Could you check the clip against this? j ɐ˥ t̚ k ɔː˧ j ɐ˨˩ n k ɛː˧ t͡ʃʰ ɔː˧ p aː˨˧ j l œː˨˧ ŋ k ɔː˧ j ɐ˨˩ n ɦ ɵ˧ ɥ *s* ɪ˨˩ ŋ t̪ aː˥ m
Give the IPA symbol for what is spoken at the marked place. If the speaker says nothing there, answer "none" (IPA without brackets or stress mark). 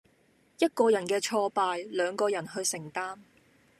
s